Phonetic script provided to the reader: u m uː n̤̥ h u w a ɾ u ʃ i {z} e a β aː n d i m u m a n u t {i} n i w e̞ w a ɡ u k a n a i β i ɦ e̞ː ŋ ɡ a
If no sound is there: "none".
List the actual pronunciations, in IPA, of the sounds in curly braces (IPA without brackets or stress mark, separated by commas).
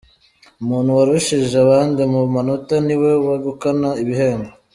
ʒ, a